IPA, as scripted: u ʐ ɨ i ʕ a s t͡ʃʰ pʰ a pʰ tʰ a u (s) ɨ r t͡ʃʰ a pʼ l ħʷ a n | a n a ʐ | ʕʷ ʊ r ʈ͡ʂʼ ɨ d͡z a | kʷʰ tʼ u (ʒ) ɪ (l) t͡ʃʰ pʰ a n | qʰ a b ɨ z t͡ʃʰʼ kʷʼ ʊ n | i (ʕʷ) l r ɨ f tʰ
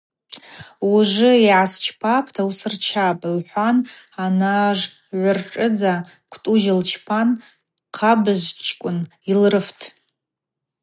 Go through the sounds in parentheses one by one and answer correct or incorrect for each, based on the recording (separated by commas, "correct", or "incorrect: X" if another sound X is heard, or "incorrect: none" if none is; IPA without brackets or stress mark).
correct, correct, correct, incorrect: none